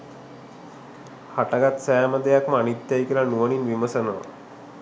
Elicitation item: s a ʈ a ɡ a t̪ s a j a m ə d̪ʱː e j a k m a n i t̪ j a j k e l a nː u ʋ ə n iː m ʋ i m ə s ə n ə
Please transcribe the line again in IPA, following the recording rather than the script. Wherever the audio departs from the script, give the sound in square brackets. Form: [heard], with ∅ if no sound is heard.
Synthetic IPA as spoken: [h] a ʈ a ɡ a t̪ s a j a m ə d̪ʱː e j a k m a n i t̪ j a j k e l a [n] u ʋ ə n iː [n] ʋ i m ə s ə n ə